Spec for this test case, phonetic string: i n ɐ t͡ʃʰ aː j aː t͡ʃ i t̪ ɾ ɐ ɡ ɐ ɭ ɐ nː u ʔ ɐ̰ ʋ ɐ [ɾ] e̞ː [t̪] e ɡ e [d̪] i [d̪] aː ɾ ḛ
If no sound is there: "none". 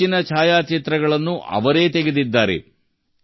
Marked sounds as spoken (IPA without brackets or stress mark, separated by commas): ɾ, t̪, d̪, d̪ː